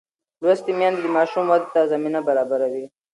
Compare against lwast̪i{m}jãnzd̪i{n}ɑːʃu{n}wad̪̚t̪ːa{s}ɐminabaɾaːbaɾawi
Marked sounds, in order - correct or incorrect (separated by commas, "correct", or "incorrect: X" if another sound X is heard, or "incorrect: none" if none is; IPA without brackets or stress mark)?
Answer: correct, incorrect: m, incorrect: m, incorrect: z